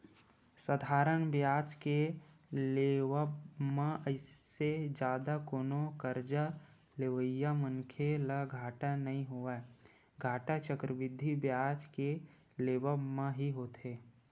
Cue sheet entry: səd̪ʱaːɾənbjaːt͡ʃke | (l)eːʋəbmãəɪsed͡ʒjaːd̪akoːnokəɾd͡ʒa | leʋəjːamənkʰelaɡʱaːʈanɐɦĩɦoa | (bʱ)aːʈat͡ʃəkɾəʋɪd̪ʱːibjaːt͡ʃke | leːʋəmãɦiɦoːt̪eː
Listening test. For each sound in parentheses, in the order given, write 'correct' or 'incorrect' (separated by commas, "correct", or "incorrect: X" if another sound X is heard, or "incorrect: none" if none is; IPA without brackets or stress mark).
correct, incorrect: ɡʱ